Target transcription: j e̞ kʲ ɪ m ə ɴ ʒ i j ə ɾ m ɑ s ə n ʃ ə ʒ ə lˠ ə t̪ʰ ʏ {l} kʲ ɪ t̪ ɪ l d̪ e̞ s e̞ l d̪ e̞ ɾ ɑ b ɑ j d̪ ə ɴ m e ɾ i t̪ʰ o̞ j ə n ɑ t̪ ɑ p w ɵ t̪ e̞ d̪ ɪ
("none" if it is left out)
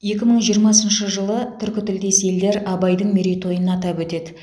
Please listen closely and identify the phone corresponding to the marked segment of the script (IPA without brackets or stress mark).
ɾ